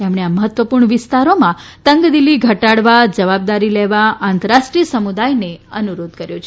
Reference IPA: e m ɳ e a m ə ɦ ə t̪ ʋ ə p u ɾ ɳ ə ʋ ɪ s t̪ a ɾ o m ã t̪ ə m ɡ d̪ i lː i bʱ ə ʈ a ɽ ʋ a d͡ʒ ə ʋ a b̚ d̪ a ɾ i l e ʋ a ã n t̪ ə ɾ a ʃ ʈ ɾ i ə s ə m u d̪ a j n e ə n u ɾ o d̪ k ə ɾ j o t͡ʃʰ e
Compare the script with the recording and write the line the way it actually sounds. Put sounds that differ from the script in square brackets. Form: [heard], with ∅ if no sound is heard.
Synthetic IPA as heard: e m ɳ e a m ə ɦ ə t̪ ʋ ə p u ɾ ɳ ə ʋ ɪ s t̪ a ɾ o m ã t̪ ə [ŋ] ɡ d̪ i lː i [ɡʱ] ə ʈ a ɽ ʋ a d͡ʒ ə ʋ a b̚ d̪ a ɾ i l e ʋ a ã n t̪ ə ɾ a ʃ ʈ ɾ i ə s ə m u d̪ a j n e ə n u ɾ o d̪ k ə ɾ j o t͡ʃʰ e